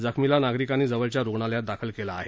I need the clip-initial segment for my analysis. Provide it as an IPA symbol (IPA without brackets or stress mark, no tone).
d͡z